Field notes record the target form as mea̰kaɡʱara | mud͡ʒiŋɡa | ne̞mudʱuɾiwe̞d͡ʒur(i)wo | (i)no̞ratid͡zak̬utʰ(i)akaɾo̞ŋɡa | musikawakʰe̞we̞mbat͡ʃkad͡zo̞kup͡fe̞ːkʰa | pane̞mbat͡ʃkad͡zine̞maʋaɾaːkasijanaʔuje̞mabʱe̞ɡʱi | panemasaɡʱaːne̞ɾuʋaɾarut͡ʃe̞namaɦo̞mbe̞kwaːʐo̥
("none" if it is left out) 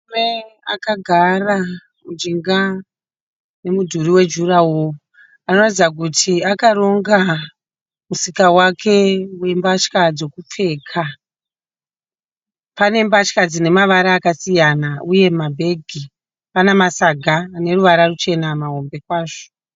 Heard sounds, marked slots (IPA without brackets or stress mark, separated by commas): a, a, i